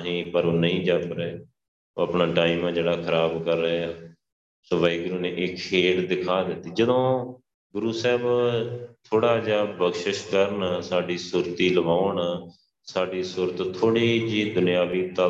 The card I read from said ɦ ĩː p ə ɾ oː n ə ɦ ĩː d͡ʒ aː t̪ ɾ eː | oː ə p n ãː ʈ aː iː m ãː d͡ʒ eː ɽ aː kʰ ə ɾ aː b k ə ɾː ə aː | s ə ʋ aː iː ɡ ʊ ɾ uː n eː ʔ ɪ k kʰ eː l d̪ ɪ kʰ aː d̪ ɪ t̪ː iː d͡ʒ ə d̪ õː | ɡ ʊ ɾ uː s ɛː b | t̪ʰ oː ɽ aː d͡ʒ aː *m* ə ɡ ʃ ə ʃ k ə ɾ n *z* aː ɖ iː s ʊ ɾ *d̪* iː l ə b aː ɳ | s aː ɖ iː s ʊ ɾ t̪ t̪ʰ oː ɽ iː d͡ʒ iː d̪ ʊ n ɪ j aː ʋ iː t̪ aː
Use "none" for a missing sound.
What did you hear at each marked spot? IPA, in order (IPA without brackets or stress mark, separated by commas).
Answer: b, s, t̪